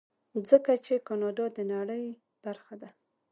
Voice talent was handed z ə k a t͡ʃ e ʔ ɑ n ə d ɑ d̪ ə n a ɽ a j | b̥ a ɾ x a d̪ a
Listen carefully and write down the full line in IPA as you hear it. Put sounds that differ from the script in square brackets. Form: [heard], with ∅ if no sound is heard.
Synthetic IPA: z ə k a t͡ʃ e [k] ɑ n [ɑ] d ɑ d̪ ə n a ɽ [ə] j | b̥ a ɾ x a d̪ a